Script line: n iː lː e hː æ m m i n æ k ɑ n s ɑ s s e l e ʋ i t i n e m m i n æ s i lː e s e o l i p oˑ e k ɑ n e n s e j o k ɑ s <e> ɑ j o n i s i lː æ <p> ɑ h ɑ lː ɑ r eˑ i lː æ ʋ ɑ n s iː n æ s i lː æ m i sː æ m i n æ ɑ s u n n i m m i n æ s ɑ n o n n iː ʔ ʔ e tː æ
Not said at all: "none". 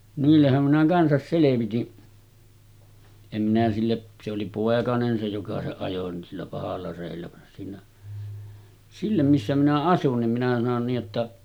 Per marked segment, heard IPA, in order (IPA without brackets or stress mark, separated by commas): e, p